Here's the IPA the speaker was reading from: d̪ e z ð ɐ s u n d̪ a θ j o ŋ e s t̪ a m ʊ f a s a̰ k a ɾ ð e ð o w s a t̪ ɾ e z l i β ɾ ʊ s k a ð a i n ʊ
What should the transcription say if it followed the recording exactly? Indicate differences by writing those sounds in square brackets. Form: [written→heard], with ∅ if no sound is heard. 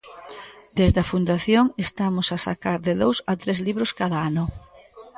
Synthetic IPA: d̪ e z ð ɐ [s→f] u n d̪ a θ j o ŋ e s t̪ a m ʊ [f→s] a s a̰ k a ɾ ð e ð o w s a t̪ ɾ e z l i β ɾ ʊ s k a ð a [i→a] n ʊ

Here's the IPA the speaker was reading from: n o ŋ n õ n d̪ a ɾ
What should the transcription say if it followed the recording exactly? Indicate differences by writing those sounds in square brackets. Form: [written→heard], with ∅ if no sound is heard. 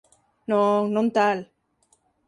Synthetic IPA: n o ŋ n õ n [d̪→t̪] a [ɾ→l]

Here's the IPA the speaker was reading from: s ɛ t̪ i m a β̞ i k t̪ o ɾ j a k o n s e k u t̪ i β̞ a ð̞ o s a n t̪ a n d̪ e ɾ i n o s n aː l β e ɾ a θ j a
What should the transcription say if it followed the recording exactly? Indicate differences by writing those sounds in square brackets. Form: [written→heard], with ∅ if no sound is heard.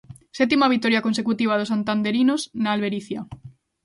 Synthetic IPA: s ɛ t̪ i m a β̞ i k t̪ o ɾ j a k o n s e k u t̪ i β̞ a ð̞ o s a n t̪ a n d̪ e ɾ i n o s n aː l β e ɾ [a→i] θ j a

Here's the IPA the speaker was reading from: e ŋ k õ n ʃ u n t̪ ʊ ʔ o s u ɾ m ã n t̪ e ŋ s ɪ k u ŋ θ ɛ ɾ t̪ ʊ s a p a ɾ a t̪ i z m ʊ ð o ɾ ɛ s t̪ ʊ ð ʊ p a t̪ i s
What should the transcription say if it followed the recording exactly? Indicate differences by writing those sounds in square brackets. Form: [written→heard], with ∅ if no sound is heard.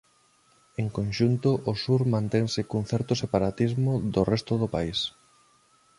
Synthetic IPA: e ŋ k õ n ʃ u n t̪ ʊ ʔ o s u ɾ m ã n t̪ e ŋ s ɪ k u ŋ θ ɛ ɾ t̪ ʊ s [a→e] p a ɾ a t̪ i z m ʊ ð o [ɾ→r] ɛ s t̪ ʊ ð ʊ p a [t̪→∅] i s

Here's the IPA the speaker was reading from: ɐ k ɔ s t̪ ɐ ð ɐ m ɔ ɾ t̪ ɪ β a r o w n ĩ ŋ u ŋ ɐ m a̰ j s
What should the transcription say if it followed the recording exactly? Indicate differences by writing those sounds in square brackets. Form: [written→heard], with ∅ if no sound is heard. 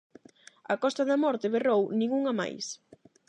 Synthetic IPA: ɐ k ɔ s t̪ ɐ ð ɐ m ɔ ɾ t̪ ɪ β [a→e] r o w n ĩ ŋ u ŋ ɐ m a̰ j s

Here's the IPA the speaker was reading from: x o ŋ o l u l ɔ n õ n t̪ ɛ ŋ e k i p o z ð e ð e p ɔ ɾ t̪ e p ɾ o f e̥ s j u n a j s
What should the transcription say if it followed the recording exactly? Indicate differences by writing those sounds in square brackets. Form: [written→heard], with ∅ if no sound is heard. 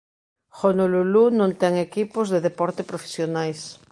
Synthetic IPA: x o [ŋ→n] o l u l [ɔ→u] n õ n t̪ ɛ ŋ e k i p o z ð e ð e p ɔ ɾ t̪ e p ɾ o f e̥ s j [u→o] n a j s

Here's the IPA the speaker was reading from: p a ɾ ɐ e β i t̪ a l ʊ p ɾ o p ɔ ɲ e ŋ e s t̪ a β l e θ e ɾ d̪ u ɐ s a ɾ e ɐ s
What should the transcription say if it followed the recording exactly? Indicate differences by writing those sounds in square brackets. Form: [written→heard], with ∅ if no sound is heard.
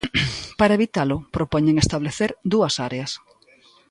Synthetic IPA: p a ɾ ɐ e β i t̪ a l ʊ p ɾ o p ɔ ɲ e ŋ e s t̪ a β l e θ e ɾ d̪ u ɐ s a ɾ e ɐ s

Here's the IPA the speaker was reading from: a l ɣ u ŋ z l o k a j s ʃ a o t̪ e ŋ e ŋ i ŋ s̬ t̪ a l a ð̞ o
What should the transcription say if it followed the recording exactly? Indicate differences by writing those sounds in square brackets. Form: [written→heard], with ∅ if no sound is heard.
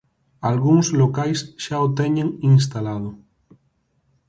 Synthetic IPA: a l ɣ u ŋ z l o k a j s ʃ a o t̪ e [ŋ→ɲ] e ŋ i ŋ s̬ t̪ a l a ð̞ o

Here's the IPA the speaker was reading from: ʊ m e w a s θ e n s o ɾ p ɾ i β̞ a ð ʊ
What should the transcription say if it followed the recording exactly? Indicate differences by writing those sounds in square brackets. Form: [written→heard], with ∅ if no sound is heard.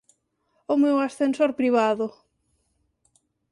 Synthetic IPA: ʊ m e w a s θ e n s o ɾ p ɾ i β̞ a ð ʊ

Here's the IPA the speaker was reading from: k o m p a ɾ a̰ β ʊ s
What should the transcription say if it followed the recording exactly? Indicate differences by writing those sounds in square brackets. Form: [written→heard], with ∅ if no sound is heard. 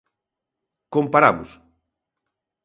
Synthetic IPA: k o m p a ɾ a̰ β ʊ s

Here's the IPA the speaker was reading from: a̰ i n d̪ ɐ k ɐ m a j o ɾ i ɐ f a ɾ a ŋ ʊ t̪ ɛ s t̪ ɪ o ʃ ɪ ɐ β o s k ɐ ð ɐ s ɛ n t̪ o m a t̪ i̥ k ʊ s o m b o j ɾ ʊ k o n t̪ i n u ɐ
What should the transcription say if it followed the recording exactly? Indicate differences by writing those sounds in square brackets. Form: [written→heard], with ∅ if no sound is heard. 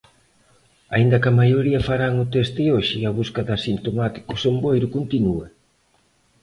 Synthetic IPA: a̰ i n d̪ ɐ k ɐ m a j o ɾ i ɐ f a ɾ a ŋ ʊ t̪ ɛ s t̪ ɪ o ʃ ɪ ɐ β [o→u] s k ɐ ð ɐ s [ɛ→i] n t̪ o m a t̪ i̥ k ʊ s o m b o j ɾ ʊ k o n t̪ i n u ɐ

